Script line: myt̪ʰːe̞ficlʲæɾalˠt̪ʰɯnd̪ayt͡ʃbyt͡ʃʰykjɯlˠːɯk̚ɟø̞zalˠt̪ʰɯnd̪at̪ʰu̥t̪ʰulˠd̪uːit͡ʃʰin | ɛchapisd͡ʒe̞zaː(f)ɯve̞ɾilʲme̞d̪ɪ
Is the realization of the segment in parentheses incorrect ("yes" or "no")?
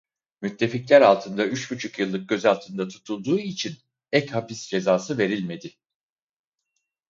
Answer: yes